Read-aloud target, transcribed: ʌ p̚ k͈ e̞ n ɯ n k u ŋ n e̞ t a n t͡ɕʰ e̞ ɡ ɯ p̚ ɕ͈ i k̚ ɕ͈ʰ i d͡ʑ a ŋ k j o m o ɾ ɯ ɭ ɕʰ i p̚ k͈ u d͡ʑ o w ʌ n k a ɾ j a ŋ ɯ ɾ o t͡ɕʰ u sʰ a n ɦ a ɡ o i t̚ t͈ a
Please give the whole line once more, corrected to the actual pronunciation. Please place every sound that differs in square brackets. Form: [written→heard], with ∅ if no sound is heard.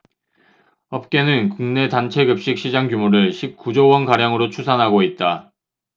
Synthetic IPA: ʌ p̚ k͈ e̞ n ɯ n k u ŋ n e̞ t a n t͡ɕʰ e̞ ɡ ɯ p̚ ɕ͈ i k̚ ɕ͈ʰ i d͡ʑ a ŋ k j [o→u] m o ɾ ɯ ɭ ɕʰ i p̚ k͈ u d͡ʑ o w ʌ n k a ɾ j a ŋ ɯ ɾ o t͡ɕʰ u sʰ a n ɦ a ɡ o i t̚ t͈ a